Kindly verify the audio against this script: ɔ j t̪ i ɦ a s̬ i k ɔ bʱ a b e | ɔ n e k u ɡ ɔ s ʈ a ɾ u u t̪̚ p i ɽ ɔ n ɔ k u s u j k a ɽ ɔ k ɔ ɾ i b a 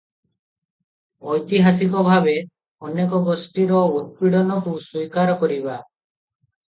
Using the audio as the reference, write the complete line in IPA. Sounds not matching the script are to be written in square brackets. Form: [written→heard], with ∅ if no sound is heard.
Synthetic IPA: ɔ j t̪ i ɦ a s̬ i k ɔ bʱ a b e | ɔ n e k [u→ɔ] ɡ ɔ s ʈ [a→i] ɾ [u→ɔ] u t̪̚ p i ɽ ɔ n ɔ k u s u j k a [ɽ→ɾ] ɔ k ɔ ɾ i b a